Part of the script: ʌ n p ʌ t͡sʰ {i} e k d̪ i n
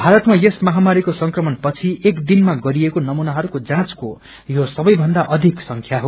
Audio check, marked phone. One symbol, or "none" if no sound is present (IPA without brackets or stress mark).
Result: i